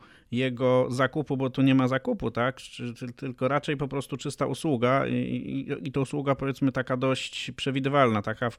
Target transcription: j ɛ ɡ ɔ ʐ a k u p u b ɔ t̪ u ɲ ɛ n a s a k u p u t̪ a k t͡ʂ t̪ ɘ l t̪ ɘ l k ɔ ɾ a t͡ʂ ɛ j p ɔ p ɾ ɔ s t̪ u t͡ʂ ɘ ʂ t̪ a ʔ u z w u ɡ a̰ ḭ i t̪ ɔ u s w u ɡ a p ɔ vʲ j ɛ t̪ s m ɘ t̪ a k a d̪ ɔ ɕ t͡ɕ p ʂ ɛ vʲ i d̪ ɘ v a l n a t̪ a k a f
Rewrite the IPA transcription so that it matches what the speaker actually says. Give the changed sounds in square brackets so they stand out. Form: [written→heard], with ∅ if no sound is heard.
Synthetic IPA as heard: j ɛ ɡ ɔ [ʐ→z] a k u p u b ɔ t̪ u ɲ ɛ [n→m] a [s→z] a k u p u t̪ a k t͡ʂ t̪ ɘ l t̪ ɘ l k ɔ ɾ a t͡ʂ ɛ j p ɔ p ɾ ɔ s t̪ u t͡ʂ ɘ [ʂ→s] t̪ a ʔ u [z→s] w u ɡ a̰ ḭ i t̪ ɔ u s w u ɡ a p ɔ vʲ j ɛ t̪ s m ɘ t̪ a k a d̪ ɔ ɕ t͡ɕ p ʂ ɛ vʲ i d̪ ɘ v a l n a t̪ a k a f